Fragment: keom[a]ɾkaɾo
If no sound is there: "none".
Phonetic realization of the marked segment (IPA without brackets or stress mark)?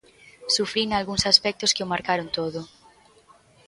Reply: a